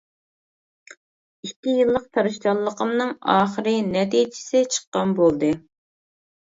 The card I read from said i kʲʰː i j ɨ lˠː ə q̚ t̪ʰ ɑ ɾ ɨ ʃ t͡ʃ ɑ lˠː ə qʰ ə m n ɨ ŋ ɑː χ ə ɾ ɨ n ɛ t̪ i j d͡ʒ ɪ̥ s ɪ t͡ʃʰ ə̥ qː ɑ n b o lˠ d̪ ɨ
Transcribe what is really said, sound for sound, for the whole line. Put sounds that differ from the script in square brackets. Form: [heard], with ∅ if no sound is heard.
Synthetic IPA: i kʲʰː i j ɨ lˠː ə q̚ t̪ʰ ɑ ɾ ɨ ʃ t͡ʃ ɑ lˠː ə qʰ ə m n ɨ ŋ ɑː χ ə ɾ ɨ n ɛ t̪ i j d͡ʒ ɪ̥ s ɪ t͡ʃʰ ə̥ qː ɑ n b o lˠ d̪ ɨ